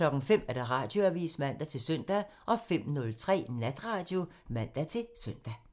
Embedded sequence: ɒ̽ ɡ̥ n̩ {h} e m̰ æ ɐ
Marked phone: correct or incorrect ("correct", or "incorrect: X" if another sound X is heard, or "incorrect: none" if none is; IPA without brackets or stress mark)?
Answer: incorrect: f